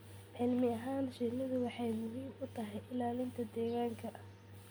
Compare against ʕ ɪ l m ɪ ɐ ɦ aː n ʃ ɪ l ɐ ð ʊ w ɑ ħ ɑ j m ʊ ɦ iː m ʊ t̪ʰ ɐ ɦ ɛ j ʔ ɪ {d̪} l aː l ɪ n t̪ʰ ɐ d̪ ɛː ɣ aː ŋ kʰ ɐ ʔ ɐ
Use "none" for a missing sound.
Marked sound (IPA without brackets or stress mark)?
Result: none